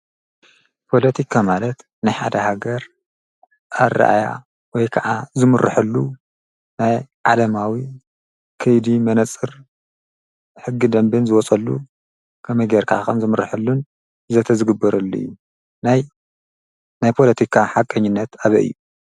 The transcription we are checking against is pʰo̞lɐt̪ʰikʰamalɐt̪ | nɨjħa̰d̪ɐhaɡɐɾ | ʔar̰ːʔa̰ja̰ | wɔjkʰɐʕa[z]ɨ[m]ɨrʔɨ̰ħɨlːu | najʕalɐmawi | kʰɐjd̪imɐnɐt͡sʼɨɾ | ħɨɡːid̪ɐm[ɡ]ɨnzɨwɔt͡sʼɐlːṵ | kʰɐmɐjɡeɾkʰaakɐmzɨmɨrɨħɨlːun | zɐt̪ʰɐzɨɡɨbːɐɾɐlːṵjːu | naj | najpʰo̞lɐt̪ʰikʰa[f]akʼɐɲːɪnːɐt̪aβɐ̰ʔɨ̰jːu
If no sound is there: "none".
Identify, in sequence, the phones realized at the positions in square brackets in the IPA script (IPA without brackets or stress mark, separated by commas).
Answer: z, m, b, ħ